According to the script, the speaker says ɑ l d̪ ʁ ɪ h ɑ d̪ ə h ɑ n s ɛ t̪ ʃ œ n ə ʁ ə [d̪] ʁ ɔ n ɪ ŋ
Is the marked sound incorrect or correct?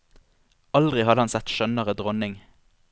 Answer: correct